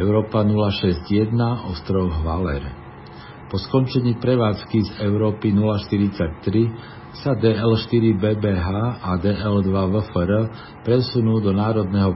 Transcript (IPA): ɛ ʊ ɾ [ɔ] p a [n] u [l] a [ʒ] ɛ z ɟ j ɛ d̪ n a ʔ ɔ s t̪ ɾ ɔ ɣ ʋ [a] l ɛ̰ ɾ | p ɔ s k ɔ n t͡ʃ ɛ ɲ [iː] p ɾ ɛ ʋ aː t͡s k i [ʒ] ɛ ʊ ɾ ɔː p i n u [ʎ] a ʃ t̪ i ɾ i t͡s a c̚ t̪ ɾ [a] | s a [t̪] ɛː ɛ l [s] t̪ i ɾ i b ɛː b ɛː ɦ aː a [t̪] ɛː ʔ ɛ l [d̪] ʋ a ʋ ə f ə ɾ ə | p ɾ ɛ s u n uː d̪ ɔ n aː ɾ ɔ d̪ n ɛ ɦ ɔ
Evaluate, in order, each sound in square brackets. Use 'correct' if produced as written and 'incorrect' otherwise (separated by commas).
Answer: incorrect, correct, correct, incorrect, correct, correct, incorrect, incorrect, incorrect, incorrect, incorrect, incorrect, correct